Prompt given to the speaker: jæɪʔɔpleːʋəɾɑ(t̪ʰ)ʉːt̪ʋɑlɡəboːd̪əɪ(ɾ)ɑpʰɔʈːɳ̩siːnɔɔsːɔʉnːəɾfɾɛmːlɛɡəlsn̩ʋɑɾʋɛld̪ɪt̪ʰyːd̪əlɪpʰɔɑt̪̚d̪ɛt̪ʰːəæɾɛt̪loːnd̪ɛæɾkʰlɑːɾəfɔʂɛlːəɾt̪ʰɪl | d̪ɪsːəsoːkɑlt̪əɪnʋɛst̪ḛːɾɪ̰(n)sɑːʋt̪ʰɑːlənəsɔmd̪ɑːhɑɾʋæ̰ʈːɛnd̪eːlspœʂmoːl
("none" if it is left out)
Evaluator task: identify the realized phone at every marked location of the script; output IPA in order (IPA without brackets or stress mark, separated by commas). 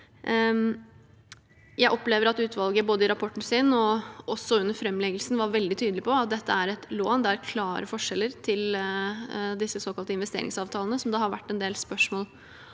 t̪, ɾ, ŋ